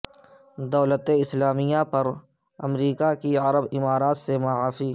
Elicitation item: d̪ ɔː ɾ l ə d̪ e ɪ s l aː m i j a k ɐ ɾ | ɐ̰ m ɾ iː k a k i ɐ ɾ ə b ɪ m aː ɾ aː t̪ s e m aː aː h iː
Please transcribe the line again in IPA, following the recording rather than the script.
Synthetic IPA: d̪ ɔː l ə t̪ e ɪ s l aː m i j a p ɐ ɾ | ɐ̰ m ɾ iː k a k i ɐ ɾ ə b ɪ m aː ɾ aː t̪ s e m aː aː f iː